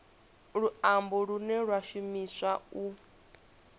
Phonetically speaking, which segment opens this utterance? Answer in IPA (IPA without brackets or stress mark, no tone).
ɺ